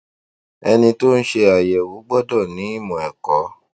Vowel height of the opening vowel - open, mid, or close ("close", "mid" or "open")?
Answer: mid